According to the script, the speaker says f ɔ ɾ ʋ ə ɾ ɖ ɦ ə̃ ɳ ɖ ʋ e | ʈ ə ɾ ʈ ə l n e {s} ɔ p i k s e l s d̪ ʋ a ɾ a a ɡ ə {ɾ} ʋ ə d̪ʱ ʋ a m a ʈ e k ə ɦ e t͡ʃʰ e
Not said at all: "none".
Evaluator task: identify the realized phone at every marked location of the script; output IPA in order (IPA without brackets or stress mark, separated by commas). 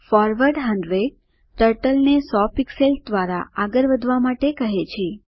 s, ɾ